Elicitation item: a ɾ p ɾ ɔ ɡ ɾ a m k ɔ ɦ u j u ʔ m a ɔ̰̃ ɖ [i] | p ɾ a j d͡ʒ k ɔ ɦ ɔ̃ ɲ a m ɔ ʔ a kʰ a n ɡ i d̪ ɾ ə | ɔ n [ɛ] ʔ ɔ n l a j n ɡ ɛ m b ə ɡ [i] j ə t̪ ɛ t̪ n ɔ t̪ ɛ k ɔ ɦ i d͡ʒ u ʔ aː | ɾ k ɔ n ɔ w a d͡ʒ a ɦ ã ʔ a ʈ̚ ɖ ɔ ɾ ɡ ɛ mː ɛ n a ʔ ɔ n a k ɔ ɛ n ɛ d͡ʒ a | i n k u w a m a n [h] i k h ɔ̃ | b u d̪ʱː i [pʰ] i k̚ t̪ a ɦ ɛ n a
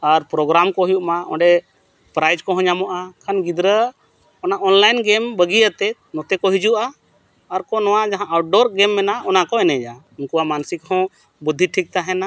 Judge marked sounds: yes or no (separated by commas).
no, no, yes, no, no